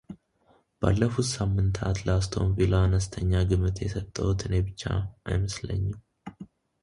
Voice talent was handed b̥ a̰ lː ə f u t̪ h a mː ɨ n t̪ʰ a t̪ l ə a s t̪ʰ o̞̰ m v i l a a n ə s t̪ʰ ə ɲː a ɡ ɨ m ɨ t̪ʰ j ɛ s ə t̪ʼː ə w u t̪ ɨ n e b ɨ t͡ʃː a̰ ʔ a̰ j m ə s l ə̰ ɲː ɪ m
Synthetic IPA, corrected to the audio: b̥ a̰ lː ə f u t̪ s a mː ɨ n t̪ʰ a t̪ l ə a s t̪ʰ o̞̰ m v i l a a n ə s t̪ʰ ə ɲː a ɡ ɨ m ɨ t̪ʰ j ɛ s ə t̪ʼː ə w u t̪ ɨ n e b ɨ t͡ʃː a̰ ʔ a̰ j m ə s l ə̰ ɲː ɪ m